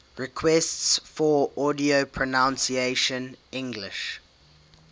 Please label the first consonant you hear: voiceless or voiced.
voiced